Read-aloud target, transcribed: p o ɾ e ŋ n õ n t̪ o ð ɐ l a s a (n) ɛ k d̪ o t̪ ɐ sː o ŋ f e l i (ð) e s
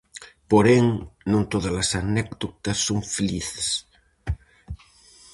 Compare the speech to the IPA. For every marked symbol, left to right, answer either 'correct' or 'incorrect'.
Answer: correct, incorrect

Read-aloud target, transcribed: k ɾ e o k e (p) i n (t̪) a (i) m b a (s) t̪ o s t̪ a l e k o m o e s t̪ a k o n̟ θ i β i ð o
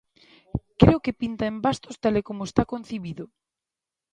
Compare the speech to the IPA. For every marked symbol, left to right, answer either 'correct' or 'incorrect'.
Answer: correct, correct, incorrect, correct

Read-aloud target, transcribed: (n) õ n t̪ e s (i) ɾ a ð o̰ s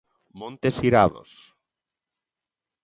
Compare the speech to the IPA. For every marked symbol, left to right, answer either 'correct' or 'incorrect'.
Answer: incorrect, correct

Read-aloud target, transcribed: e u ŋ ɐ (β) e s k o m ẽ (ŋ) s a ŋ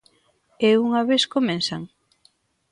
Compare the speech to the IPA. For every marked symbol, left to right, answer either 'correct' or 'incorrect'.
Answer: correct, incorrect

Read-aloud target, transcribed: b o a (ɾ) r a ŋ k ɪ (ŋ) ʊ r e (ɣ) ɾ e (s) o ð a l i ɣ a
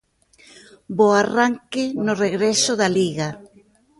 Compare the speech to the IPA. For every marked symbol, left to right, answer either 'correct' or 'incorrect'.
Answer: incorrect, incorrect, correct, correct

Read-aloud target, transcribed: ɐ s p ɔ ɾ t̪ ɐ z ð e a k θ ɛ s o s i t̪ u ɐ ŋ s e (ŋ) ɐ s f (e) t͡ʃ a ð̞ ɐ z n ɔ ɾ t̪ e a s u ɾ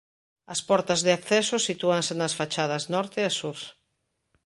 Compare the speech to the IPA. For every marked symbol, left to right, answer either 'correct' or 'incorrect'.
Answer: incorrect, incorrect

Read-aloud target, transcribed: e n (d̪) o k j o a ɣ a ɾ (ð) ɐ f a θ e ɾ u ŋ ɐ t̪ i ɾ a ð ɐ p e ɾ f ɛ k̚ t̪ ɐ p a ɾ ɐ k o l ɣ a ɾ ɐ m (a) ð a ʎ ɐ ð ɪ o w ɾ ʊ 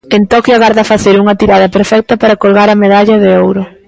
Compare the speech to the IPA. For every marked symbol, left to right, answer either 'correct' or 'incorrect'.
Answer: incorrect, correct, incorrect

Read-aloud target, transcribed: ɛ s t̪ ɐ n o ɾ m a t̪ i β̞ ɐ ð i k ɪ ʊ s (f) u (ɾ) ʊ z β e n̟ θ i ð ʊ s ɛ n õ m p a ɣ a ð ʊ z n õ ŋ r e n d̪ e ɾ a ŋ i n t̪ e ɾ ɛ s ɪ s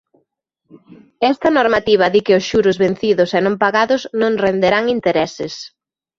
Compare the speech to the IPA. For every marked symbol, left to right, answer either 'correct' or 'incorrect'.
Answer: incorrect, correct

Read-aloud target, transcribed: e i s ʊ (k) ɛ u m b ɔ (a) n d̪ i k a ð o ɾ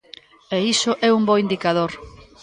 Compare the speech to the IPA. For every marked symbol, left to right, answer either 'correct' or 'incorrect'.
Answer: incorrect, incorrect

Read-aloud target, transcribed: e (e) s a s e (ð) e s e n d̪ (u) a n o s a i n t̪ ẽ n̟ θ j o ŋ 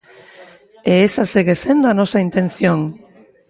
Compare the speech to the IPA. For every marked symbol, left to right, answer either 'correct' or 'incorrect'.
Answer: correct, incorrect, incorrect

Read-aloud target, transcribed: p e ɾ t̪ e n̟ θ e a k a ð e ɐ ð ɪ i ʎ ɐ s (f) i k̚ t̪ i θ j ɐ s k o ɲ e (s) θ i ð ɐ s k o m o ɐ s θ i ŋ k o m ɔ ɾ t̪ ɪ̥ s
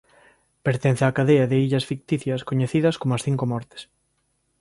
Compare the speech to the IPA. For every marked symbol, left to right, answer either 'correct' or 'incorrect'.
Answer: correct, incorrect

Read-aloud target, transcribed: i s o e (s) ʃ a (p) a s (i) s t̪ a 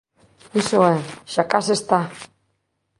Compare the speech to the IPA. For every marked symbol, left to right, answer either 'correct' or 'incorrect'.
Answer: incorrect, incorrect, incorrect

